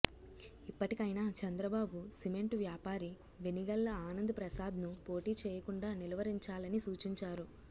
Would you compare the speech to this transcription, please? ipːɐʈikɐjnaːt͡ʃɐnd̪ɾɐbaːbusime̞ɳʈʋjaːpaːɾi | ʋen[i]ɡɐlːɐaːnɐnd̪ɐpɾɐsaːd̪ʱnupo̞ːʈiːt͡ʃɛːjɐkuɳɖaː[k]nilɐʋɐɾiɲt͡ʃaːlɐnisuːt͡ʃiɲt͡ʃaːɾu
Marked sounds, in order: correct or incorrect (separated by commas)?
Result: correct, incorrect